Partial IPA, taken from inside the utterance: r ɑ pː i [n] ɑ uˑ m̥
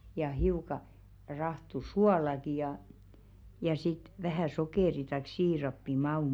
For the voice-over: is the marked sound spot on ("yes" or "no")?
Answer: no